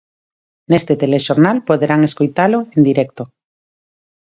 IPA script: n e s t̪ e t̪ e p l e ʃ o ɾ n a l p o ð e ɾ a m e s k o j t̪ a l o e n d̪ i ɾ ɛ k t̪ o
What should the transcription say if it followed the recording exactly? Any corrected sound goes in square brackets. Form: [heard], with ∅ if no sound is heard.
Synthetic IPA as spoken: n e s t̪ e t̪ e [∅] l e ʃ o ɾ n a l p o ð e ɾ a [ŋ] e s k o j t̪ a l o e n d̪ i ɾ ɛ k t̪ o